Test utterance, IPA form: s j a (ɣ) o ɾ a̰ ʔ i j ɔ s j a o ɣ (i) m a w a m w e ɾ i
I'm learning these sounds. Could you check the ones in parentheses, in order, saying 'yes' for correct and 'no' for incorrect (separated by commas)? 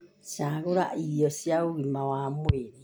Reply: yes, yes